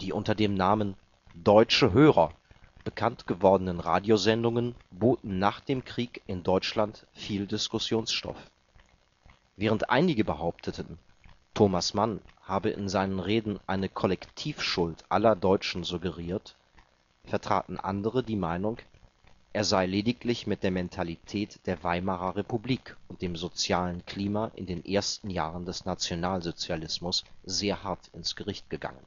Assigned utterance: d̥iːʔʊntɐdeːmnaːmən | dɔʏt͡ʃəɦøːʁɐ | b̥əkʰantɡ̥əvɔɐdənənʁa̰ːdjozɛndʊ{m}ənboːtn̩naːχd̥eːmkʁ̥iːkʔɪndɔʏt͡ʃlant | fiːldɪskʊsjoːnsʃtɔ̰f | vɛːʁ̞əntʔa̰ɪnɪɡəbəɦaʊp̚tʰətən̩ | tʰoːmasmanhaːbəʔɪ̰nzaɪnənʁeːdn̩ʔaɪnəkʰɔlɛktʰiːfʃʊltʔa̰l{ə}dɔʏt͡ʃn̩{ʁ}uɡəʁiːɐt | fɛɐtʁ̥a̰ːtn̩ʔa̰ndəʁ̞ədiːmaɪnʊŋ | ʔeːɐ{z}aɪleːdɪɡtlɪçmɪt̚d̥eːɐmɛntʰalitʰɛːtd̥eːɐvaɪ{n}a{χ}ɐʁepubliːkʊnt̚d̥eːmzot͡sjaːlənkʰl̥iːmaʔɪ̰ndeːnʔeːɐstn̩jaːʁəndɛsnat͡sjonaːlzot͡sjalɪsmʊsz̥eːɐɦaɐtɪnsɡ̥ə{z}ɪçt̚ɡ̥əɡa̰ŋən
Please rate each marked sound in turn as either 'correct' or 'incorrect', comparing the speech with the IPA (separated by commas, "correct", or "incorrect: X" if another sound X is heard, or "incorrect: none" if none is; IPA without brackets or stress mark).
incorrect: ŋ, incorrect: ɐ, incorrect: z, correct, incorrect: m, incorrect: ʁ, incorrect: ʁ